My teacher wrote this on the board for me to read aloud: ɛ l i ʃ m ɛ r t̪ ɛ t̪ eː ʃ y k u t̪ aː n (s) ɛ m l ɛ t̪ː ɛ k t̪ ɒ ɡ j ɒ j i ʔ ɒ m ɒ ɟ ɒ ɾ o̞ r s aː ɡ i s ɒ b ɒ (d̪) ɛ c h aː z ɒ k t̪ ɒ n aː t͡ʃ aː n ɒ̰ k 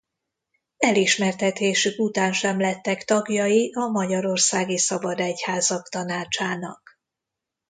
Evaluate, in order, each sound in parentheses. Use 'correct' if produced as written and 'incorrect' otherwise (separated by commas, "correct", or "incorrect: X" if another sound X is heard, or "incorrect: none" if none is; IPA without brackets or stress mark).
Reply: incorrect: ʃ, correct